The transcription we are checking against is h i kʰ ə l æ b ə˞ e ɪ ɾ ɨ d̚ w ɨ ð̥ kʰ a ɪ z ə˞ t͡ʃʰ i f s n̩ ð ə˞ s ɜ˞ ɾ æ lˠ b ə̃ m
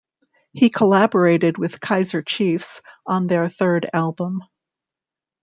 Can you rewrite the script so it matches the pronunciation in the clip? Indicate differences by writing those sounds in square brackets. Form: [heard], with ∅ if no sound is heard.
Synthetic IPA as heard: h i kʰ ə l æ b ə˞ e ɪ ɾ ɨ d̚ w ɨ ð̥ kʰ a ɪ z ə˞ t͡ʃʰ i f s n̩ ð ə˞ [θ] ɜ˞ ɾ æ lˠ b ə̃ m